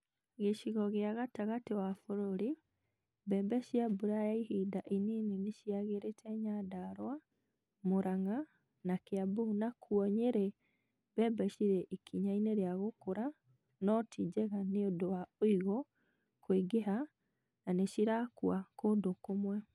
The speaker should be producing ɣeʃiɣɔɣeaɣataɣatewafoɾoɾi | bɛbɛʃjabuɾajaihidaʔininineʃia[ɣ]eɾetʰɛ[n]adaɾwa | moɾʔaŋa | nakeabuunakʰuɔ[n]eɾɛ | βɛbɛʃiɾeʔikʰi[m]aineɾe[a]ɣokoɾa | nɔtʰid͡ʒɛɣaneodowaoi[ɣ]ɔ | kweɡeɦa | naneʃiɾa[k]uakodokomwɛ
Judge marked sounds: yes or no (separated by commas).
yes, no, no, no, yes, yes, yes